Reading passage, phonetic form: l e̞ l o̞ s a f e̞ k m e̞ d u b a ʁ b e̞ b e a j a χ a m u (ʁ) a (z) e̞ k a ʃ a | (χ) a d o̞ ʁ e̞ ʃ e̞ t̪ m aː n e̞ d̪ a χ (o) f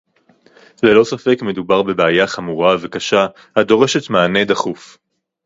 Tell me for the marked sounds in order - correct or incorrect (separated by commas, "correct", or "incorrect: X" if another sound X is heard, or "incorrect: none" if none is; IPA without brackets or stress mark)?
correct, incorrect: v, incorrect: h, incorrect: u